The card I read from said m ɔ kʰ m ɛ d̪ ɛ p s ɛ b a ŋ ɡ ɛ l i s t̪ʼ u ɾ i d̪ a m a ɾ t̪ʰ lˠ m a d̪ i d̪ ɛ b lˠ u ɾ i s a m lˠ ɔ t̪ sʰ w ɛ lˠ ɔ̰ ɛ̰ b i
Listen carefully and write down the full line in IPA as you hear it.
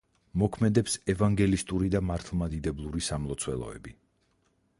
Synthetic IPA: m ɔ kʰ m ɛ d̪ ɛ p s ɛ v a ŋ ɡ ɛ l i s t̪ʼ u ɾ i d̪ a m a ɾ t̪ʰ lˠ m a d̪ i d̪ ɛ b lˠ u ɾ i s a m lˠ ɔ t̪ sʰ w ɛ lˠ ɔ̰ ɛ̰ b i